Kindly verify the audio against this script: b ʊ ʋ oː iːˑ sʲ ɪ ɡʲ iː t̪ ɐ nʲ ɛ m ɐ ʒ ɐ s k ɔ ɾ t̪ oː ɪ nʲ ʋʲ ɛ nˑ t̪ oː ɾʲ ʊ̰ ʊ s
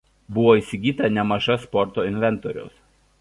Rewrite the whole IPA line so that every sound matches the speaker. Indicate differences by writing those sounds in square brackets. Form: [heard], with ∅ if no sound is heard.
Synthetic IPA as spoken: b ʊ ʋ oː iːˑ sʲ ɪ ɡʲ iː t̪ ɐ nʲ ɛ m ɐ ʒ ɐ s [p] ɔ ɾ t̪ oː ɪ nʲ ʋʲ ɛ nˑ t̪ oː ɾʲ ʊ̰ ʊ s